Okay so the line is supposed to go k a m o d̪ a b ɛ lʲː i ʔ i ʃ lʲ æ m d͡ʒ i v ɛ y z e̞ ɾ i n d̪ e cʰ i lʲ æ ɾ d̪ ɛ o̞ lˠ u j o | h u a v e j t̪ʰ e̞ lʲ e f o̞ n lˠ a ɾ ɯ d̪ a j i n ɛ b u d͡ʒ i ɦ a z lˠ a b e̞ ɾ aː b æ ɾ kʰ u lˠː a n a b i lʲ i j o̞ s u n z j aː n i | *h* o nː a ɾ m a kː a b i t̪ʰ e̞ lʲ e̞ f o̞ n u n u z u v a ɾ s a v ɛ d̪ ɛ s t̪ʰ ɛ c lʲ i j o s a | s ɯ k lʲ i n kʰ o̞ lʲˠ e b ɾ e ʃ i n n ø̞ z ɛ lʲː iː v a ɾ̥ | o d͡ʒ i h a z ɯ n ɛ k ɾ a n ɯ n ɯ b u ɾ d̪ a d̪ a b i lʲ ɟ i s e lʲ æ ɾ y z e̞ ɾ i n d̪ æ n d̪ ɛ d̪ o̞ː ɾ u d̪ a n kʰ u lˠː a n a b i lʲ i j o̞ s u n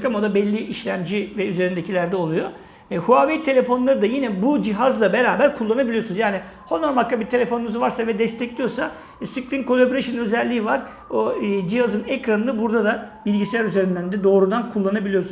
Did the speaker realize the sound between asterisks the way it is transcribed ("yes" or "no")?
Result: yes